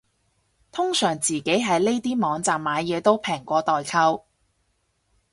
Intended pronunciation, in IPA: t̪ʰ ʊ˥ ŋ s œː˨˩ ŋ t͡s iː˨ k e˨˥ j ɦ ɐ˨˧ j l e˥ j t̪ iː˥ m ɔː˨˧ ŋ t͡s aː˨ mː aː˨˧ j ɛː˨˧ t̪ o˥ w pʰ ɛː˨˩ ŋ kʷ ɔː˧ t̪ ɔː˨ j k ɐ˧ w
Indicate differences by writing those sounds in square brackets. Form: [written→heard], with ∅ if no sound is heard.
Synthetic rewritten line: t̪ʰ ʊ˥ ŋ s œː˨˩ ŋ t͡s iː˨ k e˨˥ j ɦ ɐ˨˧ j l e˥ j t̪ iː˥ m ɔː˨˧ ŋ t͡s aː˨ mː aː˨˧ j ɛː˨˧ t̪ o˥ w pʰ ɛː˨˩ ŋ kʷ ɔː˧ t̪ ɔː˨ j [k→kʰ] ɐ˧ w